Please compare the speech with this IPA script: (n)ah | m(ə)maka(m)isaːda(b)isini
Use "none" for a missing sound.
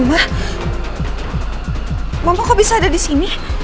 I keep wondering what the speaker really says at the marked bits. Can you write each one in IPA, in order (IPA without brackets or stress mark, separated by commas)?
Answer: m, a, b, d